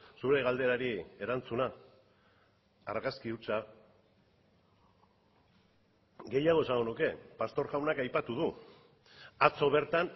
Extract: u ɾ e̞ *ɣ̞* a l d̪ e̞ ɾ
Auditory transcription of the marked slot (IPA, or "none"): ɣ̞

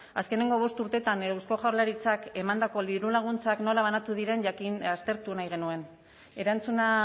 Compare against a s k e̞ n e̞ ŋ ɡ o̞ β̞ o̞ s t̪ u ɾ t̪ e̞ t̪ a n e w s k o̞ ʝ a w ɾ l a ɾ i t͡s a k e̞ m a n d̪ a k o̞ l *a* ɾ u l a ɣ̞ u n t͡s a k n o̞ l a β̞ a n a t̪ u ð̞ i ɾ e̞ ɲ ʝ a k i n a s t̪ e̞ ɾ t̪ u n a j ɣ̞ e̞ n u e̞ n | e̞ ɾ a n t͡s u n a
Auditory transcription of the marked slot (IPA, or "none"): i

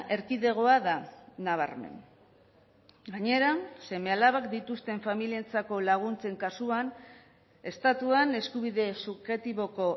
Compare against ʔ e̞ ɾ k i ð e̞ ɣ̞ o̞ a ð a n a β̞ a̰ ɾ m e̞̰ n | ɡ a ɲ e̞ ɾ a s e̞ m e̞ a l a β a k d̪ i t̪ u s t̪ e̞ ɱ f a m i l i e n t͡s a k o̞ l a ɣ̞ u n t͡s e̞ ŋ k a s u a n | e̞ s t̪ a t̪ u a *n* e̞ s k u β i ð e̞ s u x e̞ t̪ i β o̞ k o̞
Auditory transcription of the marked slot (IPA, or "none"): n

